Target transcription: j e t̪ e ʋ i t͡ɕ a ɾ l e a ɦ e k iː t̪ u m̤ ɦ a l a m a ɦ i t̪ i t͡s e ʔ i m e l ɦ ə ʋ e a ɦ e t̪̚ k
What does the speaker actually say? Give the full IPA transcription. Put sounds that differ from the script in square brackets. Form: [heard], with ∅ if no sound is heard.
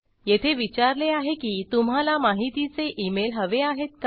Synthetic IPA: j e [t̪ʰ] e ʋ i t͡ɕ a ɾ l e a ɦ e k iː t̪ u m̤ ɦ a l a m a ɦ i t̪ i t͡s e ʔ i m e l ɦ ə ʋ e a ɦ e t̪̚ k